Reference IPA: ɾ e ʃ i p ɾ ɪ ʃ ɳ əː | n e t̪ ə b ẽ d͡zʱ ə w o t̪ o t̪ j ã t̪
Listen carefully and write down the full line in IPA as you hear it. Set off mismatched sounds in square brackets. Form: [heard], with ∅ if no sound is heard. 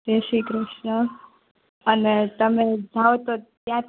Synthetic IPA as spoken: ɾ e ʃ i [k] ɾ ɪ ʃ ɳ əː | n e t̪ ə [m] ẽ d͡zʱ [a] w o t̪ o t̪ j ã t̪